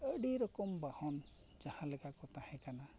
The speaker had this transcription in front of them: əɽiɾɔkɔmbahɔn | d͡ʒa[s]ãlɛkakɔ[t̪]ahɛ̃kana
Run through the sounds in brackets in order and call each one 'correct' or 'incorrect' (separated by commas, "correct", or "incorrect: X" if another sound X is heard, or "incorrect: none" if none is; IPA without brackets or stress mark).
incorrect: h, correct